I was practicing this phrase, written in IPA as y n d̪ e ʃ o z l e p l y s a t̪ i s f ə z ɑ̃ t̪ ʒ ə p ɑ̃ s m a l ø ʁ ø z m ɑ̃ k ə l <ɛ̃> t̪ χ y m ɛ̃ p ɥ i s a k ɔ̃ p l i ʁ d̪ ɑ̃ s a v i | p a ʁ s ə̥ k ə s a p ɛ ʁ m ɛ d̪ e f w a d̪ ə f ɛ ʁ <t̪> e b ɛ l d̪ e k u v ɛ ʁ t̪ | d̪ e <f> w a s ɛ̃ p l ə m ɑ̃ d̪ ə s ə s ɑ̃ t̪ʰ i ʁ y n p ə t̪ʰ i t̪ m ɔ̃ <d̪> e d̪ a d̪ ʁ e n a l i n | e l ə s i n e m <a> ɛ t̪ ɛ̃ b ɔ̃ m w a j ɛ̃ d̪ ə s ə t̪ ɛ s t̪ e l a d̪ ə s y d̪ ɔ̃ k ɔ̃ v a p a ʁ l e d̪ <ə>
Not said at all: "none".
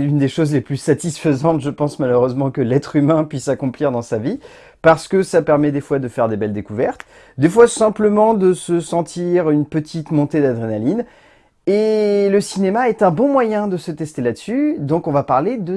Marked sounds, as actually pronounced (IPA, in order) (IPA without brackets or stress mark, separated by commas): ɛ, d̪, f, t̪, a, ə